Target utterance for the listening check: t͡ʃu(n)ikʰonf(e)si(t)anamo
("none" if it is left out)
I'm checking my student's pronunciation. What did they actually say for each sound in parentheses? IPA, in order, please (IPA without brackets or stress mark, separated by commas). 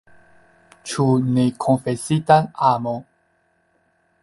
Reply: n, e, t